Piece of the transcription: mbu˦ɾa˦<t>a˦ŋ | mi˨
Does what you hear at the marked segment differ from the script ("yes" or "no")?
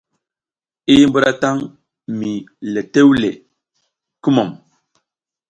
no